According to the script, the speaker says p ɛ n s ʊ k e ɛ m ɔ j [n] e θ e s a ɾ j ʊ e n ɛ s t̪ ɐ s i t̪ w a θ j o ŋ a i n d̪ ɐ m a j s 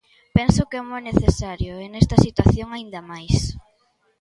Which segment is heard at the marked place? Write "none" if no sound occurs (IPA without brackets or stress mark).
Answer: n